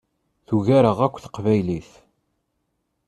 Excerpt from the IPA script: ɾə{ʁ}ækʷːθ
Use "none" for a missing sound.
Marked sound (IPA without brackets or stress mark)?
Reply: ʁ